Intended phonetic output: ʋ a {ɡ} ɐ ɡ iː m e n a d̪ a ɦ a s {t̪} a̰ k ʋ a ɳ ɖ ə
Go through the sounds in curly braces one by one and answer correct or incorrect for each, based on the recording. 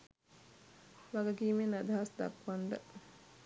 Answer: correct, incorrect: d̪

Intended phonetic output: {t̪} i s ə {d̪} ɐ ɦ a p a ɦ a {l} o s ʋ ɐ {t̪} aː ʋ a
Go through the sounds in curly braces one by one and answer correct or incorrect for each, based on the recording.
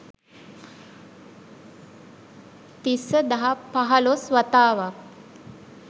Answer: correct, correct, correct, correct

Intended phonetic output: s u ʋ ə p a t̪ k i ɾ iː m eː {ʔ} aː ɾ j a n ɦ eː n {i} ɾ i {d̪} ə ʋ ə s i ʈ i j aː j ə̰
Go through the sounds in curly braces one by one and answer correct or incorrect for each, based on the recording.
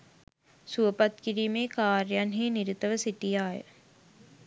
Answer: incorrect: k, correct, incorrect: t̪

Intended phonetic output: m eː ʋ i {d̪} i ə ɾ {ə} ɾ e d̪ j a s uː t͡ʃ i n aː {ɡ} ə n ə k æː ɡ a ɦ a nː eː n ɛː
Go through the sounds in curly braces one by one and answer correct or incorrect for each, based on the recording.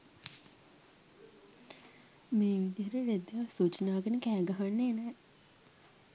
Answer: correct, correct, correct

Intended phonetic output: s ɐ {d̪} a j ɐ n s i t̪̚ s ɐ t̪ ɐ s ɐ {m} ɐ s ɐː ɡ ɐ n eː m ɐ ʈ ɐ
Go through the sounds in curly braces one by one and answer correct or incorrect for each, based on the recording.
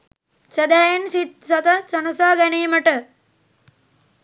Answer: correct, incorrect: n

